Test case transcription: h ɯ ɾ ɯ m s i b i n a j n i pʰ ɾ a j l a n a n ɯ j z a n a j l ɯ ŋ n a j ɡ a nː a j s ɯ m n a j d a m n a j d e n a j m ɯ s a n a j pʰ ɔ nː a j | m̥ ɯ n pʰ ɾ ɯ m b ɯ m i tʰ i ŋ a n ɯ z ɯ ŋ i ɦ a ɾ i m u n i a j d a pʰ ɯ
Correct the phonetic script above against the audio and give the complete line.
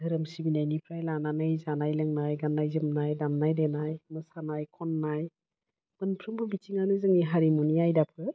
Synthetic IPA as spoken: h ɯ ɾ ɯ m s i b i n a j n i pʰ ɾ a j l a n a n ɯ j z a n a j l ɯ ŋ n a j ɡ a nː a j z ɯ m n a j d a m n a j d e n a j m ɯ s a n a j kʰ ɔ nː a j | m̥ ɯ n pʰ ɾ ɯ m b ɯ b i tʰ i ŋ a n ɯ z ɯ ŋ i ɦ a ɾ i m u n i a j d a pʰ ɯ

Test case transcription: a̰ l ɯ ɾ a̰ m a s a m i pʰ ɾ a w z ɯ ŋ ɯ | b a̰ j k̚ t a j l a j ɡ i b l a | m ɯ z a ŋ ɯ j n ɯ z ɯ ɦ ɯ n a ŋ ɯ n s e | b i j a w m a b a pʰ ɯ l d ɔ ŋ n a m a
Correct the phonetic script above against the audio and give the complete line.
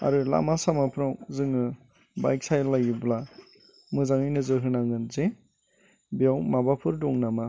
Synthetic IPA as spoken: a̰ ɾ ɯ l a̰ m a s a m a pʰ ɾ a w z ɯ ŋ ɯ | b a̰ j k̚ s a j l a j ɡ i b l a | m ɯ z a ŋ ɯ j n ɯ z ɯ ɦ ɯ n a ŋ ɯ n z e | b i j a w m a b a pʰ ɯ ɾ d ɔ ŋ n a m a

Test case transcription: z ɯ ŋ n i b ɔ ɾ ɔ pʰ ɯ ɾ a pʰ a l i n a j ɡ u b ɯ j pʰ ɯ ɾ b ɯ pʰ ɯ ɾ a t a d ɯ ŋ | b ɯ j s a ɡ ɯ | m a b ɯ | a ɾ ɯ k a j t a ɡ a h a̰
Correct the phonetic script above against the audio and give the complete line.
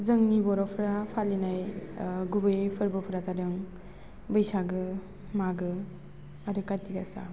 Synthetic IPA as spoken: z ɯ ŋ n i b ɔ ɾ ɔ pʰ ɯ ɾ a pʰ a l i n a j ɡ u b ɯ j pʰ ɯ ɾ b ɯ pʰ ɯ ɾ a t a d ɯ ŋ | b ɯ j s a ɡ ɯ | m a ɡ ɯ | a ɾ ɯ k a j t i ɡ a s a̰

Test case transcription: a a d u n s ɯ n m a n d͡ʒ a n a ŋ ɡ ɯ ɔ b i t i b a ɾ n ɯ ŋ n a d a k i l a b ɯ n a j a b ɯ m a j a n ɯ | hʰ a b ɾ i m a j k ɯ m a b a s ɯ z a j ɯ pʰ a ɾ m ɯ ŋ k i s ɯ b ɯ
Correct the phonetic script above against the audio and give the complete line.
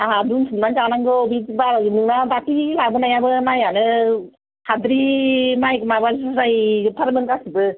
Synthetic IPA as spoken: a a d u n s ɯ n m a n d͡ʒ a n a ŋ ɡ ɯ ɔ b i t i b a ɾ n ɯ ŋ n a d a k i l a b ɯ n a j a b ɯ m a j a n ɯ | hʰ a d ɾ i m a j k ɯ m a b a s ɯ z a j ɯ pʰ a ɾ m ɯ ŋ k a s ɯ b ɯ

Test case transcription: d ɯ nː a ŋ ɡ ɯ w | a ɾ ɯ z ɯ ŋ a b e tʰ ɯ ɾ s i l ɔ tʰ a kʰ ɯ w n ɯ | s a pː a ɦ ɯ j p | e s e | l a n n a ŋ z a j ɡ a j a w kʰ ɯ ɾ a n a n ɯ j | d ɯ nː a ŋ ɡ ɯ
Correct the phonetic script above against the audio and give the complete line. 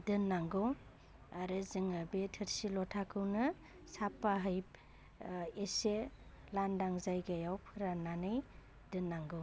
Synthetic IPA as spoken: d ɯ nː a ŋ ɡ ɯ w | a ɾ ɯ z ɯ ŋ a b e tʰ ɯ ɾ s i l ɔ tʰ a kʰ ɯ w n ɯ | s a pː a ɦ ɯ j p | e s e | l a n d a ŋ z a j ɡ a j a w pʰ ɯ ɾ a n a n ɯ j | d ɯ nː a ŋ ɡ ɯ

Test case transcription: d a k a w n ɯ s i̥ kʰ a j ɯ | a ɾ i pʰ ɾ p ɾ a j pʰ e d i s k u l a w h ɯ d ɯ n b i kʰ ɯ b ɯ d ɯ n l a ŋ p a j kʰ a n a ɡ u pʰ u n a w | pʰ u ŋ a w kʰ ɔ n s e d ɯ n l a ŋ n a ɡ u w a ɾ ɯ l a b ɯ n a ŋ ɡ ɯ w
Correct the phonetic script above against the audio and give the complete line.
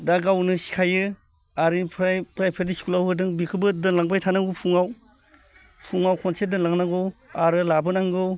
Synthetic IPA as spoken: d a ɡ a w n ɯ s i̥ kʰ a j ɯ | a ɾ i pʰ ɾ p ɾ a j pʰ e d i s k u l a w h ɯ d ɯ ŋ b i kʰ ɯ b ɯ d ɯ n l a ŋ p a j tʰ a n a ɡ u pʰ u ŋ a w | pʰ u ŋ a w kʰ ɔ n s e d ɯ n l a ŋ n a ɡ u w a ɾ ɯ l a b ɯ n a ŋ ɡ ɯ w

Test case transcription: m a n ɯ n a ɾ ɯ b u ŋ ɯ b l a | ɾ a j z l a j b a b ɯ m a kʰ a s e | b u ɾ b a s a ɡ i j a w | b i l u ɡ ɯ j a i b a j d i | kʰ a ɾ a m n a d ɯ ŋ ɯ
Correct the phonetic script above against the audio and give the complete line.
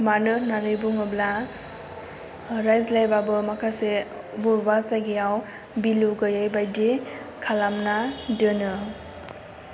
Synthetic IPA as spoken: m a n ɯ n a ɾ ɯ b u ŋ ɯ b l a | ɾ a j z l a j b a b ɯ m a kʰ a s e | b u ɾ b a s a ɡ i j a w | b i l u ɡ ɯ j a j b a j d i | kʰ a l a m n a d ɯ n ɯ

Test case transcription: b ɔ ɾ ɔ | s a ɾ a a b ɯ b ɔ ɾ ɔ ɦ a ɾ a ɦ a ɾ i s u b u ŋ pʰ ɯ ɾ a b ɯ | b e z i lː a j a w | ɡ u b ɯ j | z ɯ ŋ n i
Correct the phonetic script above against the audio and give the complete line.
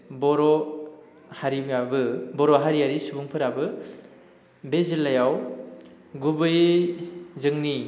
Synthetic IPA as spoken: b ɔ ɾ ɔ | h a ɾ i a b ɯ b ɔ ɾ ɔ ɦ a ɾ i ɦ a ɾ i s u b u ŋ pʰ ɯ ɾ a b ɯ | b e z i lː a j a w | ɡ u b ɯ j | z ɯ ŋ n i

